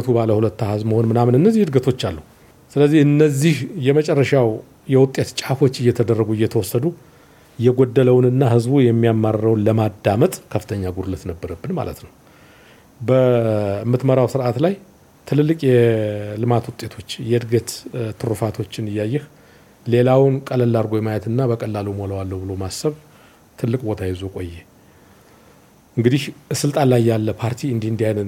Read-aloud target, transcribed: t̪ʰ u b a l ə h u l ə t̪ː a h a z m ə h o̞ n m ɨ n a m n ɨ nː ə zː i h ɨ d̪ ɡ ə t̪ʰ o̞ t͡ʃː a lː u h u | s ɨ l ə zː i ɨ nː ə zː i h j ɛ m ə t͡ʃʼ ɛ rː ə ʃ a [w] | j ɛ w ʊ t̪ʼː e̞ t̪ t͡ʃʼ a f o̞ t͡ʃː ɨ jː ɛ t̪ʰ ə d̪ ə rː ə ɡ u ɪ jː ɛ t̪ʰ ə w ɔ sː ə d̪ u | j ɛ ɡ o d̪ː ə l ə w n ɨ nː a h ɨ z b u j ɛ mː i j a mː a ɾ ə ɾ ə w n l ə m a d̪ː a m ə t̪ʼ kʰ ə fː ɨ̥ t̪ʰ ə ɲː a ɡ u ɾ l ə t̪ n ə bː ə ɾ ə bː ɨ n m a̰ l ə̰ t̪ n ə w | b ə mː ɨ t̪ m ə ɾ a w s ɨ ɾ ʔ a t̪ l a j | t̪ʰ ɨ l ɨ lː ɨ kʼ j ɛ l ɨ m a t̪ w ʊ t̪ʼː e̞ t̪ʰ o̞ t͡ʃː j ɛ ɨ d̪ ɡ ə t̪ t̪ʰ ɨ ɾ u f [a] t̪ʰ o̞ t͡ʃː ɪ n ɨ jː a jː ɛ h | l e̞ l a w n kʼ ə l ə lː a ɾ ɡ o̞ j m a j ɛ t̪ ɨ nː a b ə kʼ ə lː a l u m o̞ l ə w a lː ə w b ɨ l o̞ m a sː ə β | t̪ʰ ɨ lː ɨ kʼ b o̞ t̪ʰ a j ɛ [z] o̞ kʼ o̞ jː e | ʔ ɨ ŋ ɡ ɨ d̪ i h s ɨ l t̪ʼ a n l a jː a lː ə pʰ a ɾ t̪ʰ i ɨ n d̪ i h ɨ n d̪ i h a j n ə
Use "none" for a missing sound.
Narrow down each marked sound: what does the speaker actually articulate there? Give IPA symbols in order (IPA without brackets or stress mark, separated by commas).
w, a, z